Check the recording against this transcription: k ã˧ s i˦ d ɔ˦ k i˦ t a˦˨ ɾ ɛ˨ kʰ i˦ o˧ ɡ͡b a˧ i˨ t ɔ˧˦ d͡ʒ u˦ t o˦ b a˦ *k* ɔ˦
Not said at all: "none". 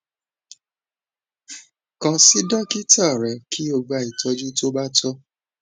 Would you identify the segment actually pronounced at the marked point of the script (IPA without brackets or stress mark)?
t